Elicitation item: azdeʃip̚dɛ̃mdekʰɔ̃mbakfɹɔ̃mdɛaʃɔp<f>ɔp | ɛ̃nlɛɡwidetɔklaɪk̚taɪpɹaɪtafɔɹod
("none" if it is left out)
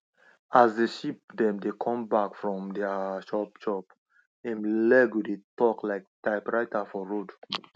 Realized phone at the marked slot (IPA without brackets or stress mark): ʃ